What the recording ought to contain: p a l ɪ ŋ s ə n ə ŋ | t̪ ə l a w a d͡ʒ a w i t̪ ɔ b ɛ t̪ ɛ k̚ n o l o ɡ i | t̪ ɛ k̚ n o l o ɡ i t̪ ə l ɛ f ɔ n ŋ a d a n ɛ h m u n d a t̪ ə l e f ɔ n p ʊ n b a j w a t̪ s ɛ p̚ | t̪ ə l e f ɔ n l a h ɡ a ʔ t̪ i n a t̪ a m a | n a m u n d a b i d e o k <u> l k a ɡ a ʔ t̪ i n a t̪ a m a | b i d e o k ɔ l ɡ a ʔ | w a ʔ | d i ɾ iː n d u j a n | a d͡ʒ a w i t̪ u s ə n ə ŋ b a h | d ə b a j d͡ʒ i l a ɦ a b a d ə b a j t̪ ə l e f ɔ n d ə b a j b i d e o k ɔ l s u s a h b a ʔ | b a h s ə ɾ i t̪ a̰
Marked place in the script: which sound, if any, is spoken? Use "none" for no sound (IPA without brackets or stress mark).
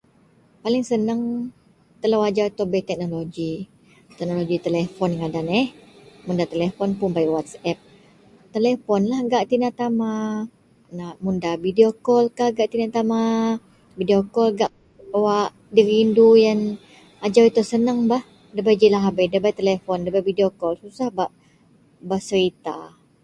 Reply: ɔ